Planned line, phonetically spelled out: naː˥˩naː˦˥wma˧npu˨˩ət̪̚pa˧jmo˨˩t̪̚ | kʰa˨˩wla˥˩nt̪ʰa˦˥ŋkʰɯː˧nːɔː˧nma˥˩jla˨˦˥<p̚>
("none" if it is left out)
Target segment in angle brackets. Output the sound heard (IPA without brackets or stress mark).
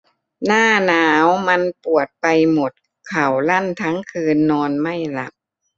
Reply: p̚